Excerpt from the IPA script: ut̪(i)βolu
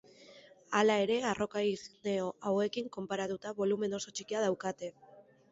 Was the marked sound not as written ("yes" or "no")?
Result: yes